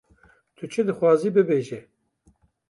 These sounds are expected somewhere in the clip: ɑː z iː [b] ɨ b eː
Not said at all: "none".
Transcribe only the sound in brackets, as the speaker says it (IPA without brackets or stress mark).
b